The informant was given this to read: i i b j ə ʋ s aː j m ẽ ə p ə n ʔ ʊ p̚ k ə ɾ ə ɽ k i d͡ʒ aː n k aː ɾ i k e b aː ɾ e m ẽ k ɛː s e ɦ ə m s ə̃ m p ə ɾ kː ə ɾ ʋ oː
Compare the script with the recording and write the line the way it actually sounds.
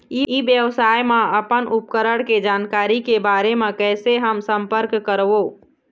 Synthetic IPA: i i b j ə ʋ s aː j m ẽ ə p ə n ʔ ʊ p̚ k ə ɾ ə ɽ k e d͡ʒ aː n k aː ɾ i k e b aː ɾ e m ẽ k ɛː s e ɦ ə m s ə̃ m p ə ɾ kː ə ɾ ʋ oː